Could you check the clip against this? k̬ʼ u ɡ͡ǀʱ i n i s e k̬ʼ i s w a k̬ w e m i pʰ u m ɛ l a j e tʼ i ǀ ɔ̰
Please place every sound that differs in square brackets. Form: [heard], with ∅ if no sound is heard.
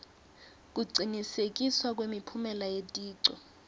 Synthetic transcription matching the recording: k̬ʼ u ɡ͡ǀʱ i n i s e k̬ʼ i s w a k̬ w e m i pʰ u m ɛ l a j e tʼ [iː] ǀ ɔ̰